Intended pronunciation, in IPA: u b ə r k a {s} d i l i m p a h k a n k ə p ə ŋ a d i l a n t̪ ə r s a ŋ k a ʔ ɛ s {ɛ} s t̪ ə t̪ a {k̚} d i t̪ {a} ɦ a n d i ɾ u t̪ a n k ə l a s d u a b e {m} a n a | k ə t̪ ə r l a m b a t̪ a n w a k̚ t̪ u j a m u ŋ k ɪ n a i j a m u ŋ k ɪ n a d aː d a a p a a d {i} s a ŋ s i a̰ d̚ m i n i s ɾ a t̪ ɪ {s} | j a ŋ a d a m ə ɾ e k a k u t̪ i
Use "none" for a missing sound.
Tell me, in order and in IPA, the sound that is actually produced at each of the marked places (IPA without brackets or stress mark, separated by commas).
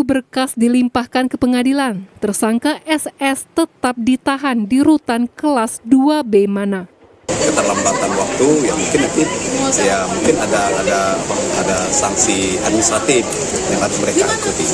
s, ɛ, p̚, a, m, a, f